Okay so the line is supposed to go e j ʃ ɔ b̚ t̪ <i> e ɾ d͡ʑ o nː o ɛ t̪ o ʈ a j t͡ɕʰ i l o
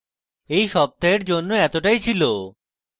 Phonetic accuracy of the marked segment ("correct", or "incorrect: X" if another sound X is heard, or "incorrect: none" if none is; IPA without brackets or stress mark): incorrect: a